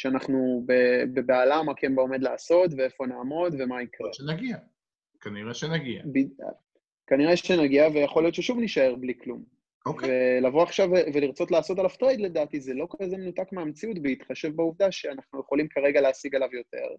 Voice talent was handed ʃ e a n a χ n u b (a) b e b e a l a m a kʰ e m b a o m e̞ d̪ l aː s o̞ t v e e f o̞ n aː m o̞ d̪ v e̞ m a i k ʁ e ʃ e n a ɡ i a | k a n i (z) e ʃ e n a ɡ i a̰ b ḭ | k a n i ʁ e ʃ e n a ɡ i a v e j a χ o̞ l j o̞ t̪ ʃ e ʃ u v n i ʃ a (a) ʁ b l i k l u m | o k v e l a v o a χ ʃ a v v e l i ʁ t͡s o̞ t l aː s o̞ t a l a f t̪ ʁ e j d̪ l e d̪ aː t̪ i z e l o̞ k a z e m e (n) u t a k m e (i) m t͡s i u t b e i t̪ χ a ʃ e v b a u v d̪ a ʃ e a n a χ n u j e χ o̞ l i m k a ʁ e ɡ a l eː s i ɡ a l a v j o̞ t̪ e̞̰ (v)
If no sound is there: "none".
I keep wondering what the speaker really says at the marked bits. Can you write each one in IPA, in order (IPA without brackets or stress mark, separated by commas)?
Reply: e, ʁ, e, n, a, ʁ